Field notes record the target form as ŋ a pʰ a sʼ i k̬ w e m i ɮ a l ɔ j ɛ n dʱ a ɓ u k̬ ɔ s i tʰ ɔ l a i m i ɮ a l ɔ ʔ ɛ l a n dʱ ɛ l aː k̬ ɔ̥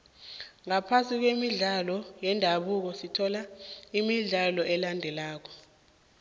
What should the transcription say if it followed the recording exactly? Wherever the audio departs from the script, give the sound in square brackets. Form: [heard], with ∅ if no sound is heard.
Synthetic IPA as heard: ŋ a pʰ a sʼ i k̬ w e m i ɮ a l ɔ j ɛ n dʱ a ɓ u k̬ ɔ s i tʰ ɔ l a i m i ɮ a l ɔ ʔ ɛ l a n dʱ ɛ l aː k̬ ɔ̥